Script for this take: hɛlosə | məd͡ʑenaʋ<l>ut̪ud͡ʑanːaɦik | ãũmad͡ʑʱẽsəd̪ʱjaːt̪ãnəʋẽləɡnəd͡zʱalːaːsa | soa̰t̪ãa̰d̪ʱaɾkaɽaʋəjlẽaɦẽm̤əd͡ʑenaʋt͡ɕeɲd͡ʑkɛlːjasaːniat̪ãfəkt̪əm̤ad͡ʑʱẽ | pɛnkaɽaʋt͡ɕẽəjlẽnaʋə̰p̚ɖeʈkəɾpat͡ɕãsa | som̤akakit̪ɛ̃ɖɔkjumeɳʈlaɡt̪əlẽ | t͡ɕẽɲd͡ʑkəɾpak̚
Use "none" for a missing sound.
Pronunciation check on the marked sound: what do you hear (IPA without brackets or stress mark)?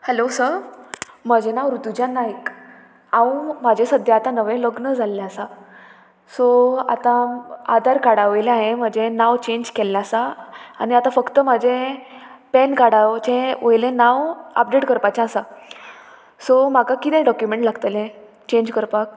ɾ